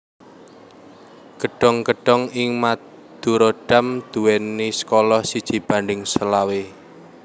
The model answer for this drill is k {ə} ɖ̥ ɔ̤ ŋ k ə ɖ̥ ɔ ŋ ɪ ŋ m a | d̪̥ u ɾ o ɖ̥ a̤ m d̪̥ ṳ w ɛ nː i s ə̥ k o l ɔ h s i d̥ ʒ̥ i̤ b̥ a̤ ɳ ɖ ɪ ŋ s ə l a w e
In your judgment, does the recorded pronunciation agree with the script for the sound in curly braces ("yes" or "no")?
yes